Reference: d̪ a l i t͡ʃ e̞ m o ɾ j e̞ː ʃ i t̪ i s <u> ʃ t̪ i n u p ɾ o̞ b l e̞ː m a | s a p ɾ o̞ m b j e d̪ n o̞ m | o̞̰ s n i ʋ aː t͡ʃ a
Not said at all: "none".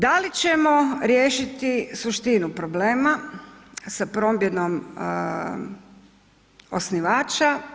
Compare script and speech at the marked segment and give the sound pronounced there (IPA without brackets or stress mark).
u